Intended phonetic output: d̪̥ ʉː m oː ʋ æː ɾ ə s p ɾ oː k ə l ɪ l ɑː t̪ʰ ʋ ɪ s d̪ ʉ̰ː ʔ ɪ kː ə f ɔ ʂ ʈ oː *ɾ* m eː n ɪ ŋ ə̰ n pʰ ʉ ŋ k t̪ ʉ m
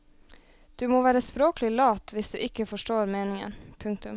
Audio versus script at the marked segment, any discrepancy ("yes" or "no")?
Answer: no